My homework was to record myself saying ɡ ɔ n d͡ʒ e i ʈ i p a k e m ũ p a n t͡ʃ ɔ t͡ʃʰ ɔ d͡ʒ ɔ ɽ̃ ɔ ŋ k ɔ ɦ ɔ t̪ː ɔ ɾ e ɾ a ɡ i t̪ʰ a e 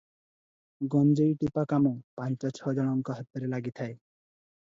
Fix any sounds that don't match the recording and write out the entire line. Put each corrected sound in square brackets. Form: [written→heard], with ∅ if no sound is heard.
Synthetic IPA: ɡ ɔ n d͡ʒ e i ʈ i p a k [e→a] m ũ p a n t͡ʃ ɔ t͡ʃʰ ɔ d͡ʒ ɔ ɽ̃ ɔ ŋ k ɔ ɦ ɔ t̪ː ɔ ɾ e [ɾ→l] a ɡ i t̪ʰ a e